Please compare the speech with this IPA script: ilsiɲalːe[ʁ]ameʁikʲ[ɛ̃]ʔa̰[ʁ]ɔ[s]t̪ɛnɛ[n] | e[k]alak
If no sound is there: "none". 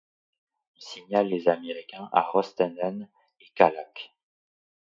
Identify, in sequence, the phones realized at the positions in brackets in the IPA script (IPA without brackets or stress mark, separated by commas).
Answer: z, ɛ̃, ʁ, s, n, k